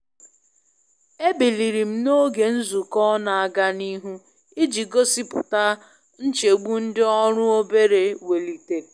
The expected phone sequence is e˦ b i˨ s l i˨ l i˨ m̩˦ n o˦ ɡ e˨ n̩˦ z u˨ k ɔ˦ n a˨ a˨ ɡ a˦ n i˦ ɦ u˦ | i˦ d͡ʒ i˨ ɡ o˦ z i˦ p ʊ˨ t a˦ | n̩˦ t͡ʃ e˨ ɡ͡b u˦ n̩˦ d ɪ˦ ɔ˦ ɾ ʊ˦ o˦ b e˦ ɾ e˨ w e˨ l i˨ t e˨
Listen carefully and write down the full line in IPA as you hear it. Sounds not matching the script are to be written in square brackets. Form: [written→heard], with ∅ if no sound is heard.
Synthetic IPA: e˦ b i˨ [s→∅] l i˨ [l→ɾ] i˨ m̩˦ n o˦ ɡ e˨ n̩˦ z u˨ k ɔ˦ n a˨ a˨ ɡ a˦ n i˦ ɦ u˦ | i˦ d͡ʒ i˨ ɡ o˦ [z→s] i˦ p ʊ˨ t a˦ | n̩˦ t͡ʃ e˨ ɡ͡b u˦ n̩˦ d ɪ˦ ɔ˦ ɾ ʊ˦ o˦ b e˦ ɾ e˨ w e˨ l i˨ t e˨